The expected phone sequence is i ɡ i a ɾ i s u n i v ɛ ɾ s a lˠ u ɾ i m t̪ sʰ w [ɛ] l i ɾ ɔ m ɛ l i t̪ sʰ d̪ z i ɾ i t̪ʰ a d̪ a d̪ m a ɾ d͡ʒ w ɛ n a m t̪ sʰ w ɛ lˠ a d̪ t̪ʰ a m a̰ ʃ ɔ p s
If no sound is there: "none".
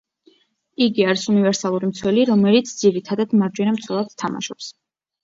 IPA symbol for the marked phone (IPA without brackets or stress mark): ɛ